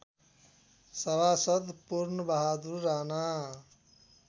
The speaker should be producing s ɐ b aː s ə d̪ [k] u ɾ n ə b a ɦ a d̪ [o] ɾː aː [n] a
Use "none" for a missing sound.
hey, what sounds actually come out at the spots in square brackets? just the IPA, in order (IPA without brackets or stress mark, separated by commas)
p, u, n